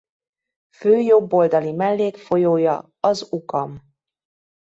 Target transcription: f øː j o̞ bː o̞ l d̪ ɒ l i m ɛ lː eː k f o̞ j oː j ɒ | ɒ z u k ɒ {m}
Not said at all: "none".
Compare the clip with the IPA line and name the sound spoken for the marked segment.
m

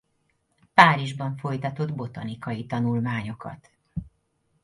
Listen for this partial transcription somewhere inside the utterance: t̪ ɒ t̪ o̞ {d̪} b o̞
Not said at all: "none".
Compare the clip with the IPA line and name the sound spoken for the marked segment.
d̪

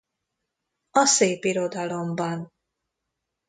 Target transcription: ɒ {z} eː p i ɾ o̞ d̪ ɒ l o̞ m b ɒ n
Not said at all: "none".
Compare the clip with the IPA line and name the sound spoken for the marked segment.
s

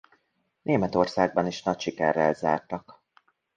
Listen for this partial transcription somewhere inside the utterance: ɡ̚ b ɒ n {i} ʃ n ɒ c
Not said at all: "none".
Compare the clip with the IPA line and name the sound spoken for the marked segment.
i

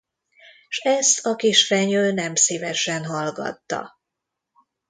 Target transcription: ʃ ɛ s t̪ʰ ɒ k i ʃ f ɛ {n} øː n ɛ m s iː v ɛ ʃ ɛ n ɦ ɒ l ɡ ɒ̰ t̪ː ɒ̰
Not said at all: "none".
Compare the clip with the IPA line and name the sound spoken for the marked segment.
ɲ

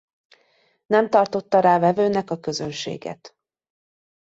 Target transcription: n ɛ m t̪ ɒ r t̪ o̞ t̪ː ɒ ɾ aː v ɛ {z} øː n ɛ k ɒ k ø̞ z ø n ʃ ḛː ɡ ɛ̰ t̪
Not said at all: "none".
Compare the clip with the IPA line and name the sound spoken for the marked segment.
v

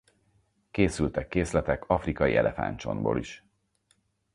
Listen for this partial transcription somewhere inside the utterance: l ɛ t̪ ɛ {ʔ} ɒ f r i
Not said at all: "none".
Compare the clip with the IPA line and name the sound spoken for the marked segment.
k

